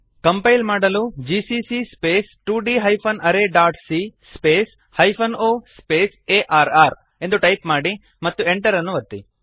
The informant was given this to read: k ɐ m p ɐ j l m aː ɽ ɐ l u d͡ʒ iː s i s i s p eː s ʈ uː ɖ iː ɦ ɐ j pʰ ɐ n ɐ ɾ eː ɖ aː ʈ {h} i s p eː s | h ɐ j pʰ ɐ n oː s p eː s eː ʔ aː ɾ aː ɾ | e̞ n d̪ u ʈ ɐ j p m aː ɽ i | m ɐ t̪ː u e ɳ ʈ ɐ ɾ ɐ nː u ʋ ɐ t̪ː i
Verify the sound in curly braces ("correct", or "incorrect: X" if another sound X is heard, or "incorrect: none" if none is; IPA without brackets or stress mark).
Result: incorrect: s